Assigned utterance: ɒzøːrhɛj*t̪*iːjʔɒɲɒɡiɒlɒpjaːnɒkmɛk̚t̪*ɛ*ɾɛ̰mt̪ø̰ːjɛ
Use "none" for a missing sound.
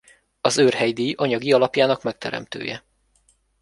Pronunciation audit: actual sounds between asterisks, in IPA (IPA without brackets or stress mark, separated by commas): d̪, ɛ